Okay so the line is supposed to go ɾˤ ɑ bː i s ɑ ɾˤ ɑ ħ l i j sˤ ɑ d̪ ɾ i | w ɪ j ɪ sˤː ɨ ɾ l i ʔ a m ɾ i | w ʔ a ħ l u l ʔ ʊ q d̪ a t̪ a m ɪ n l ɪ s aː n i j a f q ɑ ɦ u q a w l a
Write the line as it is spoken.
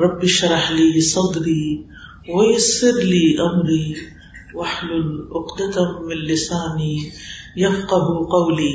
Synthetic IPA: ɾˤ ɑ bː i ʃ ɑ ɾˤ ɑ ħ l i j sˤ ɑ d̪ ɾ i | w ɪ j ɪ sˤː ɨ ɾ l i ʔ a m ɾ i | w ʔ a ħ l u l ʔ ʊ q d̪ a t̪ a m ɪ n l ɪ s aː n i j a f q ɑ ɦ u q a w l i